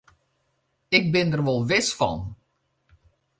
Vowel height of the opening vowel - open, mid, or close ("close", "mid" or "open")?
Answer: close